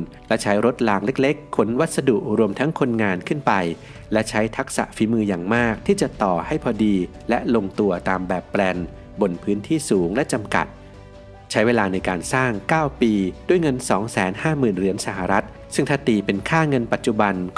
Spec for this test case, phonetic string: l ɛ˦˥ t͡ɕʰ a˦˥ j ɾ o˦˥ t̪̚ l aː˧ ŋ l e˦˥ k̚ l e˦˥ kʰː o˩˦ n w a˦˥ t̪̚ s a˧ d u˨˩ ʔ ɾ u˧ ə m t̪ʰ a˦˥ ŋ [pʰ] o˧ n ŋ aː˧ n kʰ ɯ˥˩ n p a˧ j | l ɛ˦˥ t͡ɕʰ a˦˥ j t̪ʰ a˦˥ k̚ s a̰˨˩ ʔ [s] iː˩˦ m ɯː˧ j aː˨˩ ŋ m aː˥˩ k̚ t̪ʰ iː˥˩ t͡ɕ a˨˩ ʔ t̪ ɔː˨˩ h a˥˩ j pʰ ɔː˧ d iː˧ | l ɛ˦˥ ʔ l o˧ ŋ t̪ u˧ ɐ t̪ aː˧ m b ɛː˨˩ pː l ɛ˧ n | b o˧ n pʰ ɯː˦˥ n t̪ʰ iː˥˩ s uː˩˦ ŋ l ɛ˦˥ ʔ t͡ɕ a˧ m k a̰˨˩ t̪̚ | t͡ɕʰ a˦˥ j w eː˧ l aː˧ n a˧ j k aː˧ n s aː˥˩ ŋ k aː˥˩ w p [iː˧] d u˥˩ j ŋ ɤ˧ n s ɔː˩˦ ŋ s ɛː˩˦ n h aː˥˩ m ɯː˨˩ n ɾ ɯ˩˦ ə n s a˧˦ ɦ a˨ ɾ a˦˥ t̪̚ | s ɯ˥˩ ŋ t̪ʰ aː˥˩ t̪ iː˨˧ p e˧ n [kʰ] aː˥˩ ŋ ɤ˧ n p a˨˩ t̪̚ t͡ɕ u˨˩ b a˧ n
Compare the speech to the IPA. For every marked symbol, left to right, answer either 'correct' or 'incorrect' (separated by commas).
incorrect, incorrect, correct, correct